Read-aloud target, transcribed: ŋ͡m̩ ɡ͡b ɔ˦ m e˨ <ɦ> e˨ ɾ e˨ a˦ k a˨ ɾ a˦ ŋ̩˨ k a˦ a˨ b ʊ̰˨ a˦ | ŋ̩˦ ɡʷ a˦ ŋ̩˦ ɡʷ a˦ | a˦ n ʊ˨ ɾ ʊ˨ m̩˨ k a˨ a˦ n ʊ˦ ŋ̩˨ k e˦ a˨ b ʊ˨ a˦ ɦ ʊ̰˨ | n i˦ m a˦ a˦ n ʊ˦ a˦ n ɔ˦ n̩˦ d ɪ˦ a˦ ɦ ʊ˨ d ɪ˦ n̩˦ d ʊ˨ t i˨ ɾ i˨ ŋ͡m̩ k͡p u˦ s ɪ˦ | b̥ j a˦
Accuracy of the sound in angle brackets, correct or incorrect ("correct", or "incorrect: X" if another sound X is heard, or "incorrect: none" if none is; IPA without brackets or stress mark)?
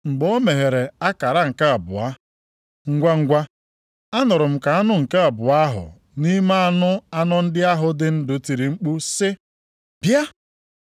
correct